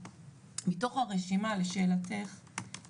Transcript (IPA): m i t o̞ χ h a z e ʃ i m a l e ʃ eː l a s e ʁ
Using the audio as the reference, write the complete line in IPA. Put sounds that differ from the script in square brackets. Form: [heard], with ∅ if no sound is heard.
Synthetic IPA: m i t o̞ χ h a [ʁ] e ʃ i m a l e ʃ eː l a [t] e [χ]